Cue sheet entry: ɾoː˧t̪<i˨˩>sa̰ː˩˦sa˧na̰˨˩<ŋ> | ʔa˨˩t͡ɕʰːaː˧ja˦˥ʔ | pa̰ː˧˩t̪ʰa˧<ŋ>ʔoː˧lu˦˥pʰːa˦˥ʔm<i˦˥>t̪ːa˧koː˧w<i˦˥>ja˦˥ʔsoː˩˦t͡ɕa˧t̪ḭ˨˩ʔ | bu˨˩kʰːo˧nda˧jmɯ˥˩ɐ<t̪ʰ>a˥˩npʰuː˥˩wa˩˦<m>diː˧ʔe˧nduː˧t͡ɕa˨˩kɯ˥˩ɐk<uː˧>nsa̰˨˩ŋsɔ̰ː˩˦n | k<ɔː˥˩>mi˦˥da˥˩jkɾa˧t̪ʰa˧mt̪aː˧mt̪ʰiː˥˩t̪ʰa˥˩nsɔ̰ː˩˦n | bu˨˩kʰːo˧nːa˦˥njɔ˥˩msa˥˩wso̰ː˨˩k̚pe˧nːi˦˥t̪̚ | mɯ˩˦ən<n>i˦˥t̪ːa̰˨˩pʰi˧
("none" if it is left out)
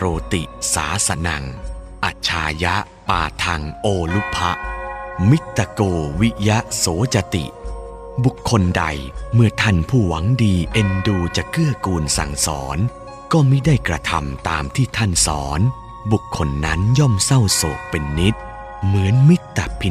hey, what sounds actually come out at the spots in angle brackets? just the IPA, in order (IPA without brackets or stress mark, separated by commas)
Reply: i˨˩, ŋ, ŋ, i˦˥, i˦˥, t̪ʰ, ŋ, uː˧, ɔː˥˩, m